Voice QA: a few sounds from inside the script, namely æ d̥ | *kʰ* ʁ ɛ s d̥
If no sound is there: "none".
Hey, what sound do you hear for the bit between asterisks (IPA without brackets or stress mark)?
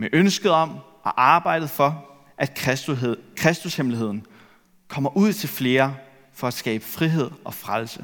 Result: kʰ